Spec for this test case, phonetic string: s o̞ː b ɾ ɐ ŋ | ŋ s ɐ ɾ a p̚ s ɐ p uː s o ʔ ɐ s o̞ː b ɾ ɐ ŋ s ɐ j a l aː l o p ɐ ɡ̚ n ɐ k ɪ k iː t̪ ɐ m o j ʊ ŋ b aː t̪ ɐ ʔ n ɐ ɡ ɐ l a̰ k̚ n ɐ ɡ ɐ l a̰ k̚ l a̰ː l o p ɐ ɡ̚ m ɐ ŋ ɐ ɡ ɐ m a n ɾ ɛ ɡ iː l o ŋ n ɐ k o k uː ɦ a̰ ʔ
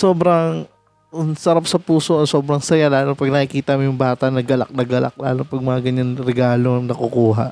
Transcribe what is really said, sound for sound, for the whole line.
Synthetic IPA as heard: s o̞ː b ɾ ɐ ŋ | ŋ s ɐ ɾ a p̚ s ɐ p uː s o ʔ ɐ s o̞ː b ɾ ɐ ŋ s ɐ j a l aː l o p ɐ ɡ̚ n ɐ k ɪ k iː t̪ ɐ m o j ʊ ŋ b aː t̪ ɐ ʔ n ɐ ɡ ɐ l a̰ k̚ n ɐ ɡ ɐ l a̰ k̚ l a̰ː l o p ɐ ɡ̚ m ɐ ŋ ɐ ɡ ɐ ɲ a n ɾ ɛ ɡ aː l o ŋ n ɐ k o k uː ɦ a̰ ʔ